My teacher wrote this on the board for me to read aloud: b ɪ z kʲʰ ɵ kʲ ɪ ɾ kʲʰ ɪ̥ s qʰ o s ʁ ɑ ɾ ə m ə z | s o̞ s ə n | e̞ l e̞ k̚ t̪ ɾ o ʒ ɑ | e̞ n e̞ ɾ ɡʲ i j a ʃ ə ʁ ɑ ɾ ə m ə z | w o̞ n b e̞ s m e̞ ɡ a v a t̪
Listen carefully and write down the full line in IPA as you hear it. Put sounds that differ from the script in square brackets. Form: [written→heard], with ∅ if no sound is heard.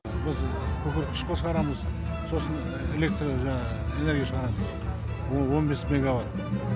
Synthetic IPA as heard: b ɪ z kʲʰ ɵ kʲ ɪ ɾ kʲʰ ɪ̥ [s→ʃ] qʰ o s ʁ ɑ ɾ [ə→ɑ] m ə z | s o̞ s ə n | e̞ l e̞ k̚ t̪ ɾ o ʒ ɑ | e̞ n e̞ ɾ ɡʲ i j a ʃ ə ʁ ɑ ɾ [ə→ɑ] m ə z | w o̞ n b e̞ s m e̞ ɡ a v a t̪